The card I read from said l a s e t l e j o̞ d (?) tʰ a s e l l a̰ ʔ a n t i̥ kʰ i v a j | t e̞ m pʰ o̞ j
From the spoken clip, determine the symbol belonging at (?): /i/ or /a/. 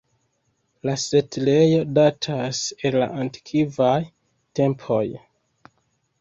a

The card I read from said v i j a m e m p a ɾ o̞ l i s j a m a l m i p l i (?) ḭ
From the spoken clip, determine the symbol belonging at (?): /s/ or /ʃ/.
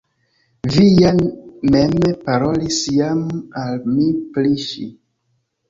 ʃ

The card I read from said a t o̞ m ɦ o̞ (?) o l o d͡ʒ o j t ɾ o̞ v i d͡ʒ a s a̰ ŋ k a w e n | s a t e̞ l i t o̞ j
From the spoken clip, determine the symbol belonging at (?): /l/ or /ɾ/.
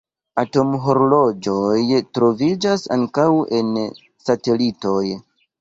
ɾ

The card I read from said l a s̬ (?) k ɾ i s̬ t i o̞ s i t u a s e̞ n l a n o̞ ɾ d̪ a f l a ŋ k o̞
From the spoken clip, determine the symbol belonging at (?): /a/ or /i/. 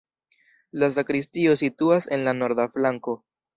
a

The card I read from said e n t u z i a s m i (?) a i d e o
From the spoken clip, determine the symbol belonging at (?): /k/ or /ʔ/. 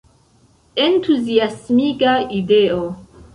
k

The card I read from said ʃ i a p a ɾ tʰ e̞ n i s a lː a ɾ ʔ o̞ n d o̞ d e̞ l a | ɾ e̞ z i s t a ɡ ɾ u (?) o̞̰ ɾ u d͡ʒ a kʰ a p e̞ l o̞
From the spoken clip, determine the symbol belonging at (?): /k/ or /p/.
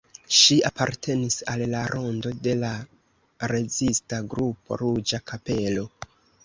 p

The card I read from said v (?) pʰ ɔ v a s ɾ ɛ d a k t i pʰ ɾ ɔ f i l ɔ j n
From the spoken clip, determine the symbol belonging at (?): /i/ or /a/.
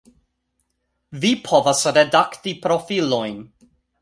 i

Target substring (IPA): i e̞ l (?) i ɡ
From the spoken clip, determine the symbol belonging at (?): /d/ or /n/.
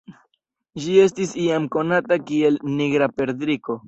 n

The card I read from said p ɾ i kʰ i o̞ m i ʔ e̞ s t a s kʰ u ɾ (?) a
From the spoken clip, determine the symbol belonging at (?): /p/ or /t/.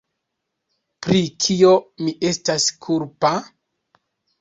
p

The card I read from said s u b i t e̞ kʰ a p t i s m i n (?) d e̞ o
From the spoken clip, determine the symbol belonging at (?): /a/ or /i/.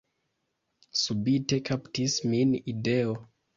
i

